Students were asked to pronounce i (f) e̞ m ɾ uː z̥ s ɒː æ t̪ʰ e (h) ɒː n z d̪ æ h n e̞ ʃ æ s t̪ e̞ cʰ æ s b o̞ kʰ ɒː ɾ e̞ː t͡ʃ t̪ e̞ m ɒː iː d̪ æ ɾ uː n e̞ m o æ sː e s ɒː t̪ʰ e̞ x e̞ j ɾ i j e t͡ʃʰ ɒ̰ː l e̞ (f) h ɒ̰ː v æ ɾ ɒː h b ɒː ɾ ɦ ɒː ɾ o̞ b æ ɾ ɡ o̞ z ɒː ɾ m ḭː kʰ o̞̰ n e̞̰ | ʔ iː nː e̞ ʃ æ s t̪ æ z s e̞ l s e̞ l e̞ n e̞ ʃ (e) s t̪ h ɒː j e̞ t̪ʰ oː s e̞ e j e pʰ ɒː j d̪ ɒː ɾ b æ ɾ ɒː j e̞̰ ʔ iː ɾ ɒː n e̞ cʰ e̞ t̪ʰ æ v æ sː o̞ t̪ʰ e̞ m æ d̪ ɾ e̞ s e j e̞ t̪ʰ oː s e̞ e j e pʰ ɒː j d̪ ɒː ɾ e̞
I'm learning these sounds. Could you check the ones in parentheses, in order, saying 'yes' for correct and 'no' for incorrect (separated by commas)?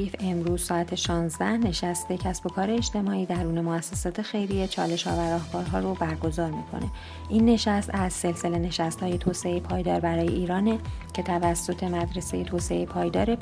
yes, no, no, no